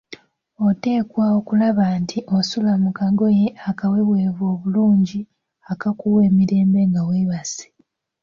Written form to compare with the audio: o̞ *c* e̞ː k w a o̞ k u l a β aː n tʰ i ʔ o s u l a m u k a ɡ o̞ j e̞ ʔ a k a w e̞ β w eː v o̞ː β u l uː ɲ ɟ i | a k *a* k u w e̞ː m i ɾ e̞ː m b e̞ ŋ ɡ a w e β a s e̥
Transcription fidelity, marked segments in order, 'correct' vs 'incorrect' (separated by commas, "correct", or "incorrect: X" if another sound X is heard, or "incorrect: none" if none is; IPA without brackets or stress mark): incorrect: t, correct